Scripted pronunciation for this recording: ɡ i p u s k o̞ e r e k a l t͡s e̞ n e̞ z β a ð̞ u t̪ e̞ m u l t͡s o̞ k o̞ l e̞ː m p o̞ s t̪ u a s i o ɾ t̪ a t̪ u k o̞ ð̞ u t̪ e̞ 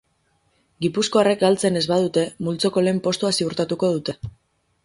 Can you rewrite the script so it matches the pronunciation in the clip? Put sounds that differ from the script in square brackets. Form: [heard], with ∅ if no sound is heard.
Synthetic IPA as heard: ɡ i p u s k o̞ [a] r e k a l t͡s e̞ n e̞ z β a ð̞ u t̪ e̞ m u l t͡s o̞ k o̞ l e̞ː m p o̞ s t̪ u a s i [u] ɾ t̪ a t̪ u k o̞ ð̞ u t̪ e̞

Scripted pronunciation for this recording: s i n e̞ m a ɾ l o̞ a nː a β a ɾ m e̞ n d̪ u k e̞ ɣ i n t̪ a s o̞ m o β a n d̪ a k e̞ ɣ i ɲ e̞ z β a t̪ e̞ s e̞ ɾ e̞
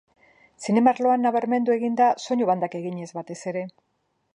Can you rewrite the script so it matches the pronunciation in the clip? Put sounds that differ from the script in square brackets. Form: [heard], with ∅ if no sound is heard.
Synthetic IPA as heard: s i n e̞ m a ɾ l o̞ a nː a β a ɾ m e̞ n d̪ u [∅] e̞ ɣ i n [d̪] a s o̞ [ɲ] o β a n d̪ a k e̞ ɣ i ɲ e̞ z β a t̪ e̞ s e̞ ɾ e̞

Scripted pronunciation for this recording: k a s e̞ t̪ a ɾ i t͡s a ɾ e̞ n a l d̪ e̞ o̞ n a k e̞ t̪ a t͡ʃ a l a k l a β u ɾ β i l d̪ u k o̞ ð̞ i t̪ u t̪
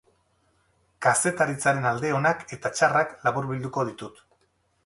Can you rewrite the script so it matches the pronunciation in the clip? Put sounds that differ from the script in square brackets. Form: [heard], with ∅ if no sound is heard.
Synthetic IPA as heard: k a s e̞ t̪ a ɾ i t͡s a ɾ e̞ n a l d̪ e̞ o̞ n a k e̞ t̪ a t͡ʃ a [r] a k l a β u ɾ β i l d̪ u k o̞ ð̞ i t̪ u t̪

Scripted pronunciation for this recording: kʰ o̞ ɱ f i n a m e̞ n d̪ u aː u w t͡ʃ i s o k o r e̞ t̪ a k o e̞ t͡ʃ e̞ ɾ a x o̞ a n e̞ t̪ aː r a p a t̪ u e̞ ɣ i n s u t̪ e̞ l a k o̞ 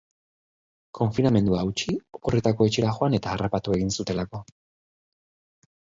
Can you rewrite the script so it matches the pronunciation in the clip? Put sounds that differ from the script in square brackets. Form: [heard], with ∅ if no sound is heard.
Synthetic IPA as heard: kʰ o̞ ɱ f i n a m e̞ n d̪ u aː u w t͡ʃ i [∅] o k o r e̞ t̪ a k o e̞ t͡ʃ e̞ ɾ a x o̞ a n e̞ t̪ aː r a p a t̪ u e̞ ɣ i n s u t̪ e̞ l a k o̞

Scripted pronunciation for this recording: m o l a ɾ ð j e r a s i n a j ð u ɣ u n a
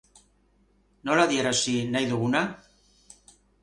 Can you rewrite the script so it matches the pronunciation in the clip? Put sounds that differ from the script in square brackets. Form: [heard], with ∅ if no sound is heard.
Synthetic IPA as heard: [n] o l a [∅] ð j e [ɾ] a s i n a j ð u ɣ u n a

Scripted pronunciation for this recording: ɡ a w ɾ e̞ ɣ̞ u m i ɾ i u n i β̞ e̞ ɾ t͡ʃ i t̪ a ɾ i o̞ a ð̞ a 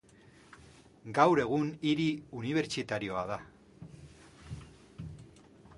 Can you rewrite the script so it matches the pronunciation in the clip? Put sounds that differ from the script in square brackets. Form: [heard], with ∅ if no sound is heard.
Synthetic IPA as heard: ɡ a w ɾ e̞ ɣ̞ u [n] i ɾ i u n i β̞ e̞ ɾ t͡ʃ i t̪ a ɾ i o̞ a ð̞ a

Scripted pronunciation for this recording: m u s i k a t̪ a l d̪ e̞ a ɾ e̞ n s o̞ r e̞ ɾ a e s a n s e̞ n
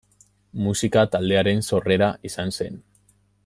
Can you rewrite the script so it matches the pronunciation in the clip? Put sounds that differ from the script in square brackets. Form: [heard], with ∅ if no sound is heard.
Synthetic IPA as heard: m u s i k a t̪ a l d̪ e̞ a ɾ e̞ n s o̞ r e̞ ɾ a [i] s a n s e̞ n

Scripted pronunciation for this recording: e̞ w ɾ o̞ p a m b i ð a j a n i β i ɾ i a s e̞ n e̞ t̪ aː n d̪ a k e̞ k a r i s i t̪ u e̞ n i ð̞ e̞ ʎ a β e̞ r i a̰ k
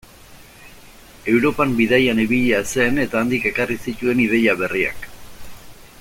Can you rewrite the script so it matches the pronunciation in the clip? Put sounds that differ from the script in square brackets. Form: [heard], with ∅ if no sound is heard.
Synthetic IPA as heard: e̞ w ɾ o̞ p a m b i ð a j a n i β i [ʎ] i a s e̞ n e̞ t̪ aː n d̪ [i] k e̞ k a r i s i t̪ u e̞ n i ð̞ e̞ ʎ a β e̞ r i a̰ k

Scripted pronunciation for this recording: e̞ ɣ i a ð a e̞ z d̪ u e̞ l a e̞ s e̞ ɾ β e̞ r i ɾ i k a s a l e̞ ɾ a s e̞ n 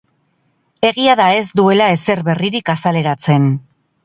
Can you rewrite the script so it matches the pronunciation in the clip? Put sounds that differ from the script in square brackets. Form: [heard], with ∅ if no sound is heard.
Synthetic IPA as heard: e̞ ɣ i a ð a e̞ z d̪ u e̞ l a e̞ s e̞ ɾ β e̞ r i ɾ i k a s a l e̞ ɾ a [t͡s] e̞ n

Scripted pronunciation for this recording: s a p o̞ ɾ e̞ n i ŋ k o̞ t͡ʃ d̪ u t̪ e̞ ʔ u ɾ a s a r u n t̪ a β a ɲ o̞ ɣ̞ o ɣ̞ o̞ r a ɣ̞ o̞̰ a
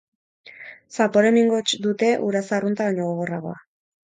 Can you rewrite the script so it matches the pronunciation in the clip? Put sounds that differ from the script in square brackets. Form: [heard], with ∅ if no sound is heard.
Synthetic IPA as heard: s a p o̞ ɾ e̞ [m] i ŋ [ɡ] o̞ t͡ʃ d̪ u t̪ e̞ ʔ u ɾ a s a r u n t̪ a β a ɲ o̞ ɣ̞ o ɣ̞ o̞ r a ɣ̞ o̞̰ a

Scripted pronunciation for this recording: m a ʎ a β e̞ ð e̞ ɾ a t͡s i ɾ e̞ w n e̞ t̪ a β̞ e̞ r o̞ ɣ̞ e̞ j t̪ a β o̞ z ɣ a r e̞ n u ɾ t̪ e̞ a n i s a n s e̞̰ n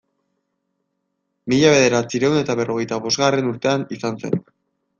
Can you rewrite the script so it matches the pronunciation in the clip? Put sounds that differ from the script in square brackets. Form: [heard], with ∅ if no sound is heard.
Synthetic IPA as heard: m [i] ʎ a β e̞ ð e̞ ɾ a t͡s i ɾ e̞ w n e̞ t̪ a β̞ e̞ r o̞ ɣ̞ e̞ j t̪ a β o̞ z ɣ a r e̞ n u ɾ t̪ e̞ a n i s a n s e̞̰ n

